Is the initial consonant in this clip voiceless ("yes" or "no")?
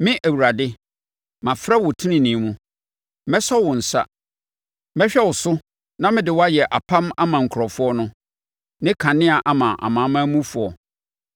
no